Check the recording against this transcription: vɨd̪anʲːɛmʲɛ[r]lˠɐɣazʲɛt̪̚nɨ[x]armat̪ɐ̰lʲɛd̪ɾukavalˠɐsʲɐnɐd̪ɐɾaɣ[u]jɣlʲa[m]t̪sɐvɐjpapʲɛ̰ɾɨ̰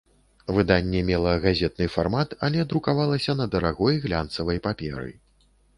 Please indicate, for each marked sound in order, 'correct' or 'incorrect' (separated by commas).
incorrect, incorrect, incorrect, incorrect